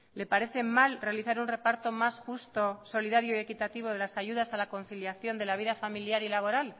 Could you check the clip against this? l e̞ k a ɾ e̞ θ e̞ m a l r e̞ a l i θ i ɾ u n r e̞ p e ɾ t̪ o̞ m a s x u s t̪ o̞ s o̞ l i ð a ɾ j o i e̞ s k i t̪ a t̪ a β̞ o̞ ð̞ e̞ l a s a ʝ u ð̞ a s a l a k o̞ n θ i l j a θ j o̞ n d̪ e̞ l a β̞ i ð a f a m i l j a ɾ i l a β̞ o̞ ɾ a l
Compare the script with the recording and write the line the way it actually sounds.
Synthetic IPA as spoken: l e̞ p a ɾ e̞ θ e̞ m a l r e̞ a l i θ a ɾ u n r e̞ p a ɾ t̪ o̞ m a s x u s t̪ o̞ s o̞ l i ð a ɾ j o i e̞ k i t̪ a t̪ i β̞ o̞ ð̞ e̞ l a s a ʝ u ð̞ a s a l a k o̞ n θ i l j a θ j o̞ n d̪ e̞ l a β̞ i ð a f a m i l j a ɾ i l a β̞ o̞ ɾ a l